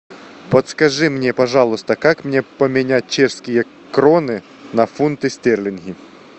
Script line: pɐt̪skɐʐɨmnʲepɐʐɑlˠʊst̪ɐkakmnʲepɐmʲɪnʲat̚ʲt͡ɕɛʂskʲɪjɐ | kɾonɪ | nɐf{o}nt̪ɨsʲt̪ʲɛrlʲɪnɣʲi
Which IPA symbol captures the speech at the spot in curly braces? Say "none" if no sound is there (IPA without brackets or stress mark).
u